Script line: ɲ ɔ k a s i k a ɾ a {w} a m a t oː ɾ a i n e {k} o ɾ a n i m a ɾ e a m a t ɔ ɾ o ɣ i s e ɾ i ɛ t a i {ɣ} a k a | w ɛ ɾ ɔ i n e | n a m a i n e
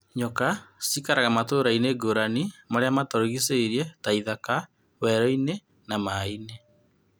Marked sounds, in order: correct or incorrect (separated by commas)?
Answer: incorrect, incorrect, incorrect